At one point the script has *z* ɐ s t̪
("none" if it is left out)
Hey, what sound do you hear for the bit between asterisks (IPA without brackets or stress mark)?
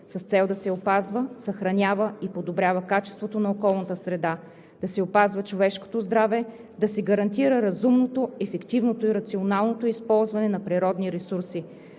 s